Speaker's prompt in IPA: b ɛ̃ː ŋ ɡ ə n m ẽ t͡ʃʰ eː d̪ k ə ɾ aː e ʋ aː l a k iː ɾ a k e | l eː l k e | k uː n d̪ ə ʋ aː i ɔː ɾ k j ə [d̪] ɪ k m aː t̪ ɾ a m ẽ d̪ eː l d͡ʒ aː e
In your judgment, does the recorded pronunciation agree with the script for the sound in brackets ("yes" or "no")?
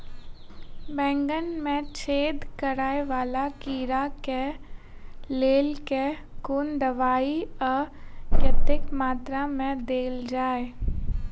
no